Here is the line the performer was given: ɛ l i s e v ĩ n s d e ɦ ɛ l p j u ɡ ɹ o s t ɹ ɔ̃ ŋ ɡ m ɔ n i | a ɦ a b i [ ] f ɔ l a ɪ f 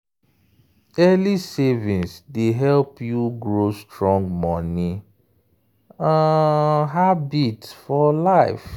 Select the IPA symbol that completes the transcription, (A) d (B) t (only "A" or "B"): B